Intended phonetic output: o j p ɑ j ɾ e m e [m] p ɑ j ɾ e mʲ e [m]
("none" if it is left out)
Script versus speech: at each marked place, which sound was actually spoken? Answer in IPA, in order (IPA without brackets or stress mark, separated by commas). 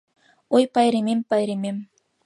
m, m